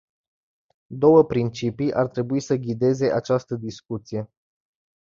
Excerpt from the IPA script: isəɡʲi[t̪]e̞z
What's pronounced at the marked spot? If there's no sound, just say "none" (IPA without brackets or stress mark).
d̪